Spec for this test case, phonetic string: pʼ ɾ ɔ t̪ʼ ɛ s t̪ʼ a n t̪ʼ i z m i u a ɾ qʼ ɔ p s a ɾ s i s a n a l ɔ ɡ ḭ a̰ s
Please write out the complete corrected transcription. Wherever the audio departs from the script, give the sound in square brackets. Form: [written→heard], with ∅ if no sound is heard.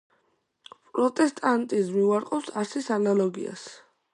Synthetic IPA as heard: pʼ ɾ ɔ t̪ʼ ɛ s t̪ʼ a n t̪ʼ i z m i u a ɾ qʼ ɔ p s a ɾ s i s a n a l ɔ ɡ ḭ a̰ s